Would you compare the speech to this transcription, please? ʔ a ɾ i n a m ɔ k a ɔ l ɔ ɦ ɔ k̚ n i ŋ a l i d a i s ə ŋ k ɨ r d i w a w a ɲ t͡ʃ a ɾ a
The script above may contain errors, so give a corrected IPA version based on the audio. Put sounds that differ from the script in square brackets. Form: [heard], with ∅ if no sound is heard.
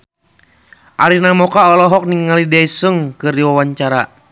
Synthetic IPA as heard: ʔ a ɾ i n a m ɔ k a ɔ l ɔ ɦ ɔ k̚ n i ŋ a l i d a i s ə ŋ k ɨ r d i w a w a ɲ t͡ʃ a ɾ a